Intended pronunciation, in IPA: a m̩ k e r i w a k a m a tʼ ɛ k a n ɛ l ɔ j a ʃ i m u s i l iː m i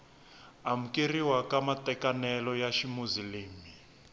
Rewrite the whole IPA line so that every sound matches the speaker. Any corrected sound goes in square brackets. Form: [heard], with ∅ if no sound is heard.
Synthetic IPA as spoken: a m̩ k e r i w a k a m a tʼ ɛ k a n ɛ l ɔ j a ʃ i m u [z] i l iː m i